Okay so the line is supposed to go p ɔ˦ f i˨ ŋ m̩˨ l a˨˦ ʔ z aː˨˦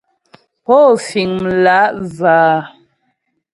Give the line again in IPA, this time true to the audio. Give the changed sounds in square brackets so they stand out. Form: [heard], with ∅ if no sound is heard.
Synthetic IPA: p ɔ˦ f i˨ ŋ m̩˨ l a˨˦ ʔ z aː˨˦